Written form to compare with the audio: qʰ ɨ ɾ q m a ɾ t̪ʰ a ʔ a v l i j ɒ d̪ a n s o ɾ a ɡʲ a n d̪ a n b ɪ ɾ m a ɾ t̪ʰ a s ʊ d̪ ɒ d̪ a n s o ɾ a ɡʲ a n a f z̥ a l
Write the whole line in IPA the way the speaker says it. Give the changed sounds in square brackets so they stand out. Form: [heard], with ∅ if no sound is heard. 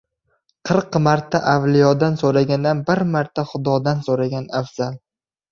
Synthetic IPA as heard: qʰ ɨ ɾ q m a ɾ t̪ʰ a ʔ a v l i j ɒ d̪ a n s o ɾ a ɡʲ a n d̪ a n b ɪ ɾ m a ɾ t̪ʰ a [χ] ʊ d̪ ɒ d̪ a n s o ɾ a ɡʲ a n a f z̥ a l